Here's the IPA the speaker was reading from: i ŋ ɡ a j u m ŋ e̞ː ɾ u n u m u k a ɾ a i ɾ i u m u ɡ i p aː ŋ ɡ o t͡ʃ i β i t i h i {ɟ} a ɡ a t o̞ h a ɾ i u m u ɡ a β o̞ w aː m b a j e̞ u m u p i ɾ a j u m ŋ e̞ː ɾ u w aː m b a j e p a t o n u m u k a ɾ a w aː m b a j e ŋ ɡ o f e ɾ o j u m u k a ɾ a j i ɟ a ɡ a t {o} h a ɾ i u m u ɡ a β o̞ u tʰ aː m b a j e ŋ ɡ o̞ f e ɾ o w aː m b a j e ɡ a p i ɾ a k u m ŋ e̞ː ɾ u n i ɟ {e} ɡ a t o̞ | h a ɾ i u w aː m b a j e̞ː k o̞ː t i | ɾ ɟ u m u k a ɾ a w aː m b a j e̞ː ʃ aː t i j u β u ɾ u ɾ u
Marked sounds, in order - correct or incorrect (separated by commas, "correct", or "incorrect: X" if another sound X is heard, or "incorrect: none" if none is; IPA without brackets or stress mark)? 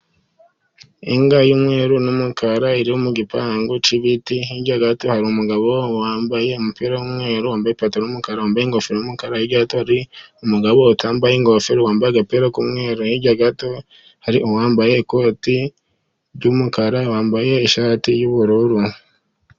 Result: correct, correct, incorrect: a